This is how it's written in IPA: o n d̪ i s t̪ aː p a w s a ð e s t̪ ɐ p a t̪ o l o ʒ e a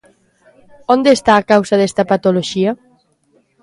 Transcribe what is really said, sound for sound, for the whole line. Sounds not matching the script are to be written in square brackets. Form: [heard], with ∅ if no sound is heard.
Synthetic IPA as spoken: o n d̪ [e] s t̪ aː [k] a w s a ð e s t̪ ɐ p a t̪ o l o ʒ [i] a